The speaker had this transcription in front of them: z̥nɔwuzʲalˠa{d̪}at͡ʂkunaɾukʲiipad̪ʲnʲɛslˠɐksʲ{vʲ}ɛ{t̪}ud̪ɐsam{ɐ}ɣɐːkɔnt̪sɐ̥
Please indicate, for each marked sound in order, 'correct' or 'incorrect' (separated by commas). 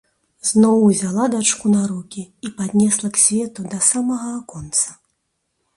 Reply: correct, correct, correct, correct